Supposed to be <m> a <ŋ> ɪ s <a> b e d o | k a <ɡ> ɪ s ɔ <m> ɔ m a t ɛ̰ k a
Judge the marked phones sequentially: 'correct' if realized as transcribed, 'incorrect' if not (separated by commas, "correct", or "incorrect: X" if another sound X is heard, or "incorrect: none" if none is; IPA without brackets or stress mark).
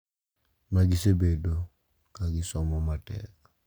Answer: correct, incorrect: ɡ, incorrect: e, correct, correct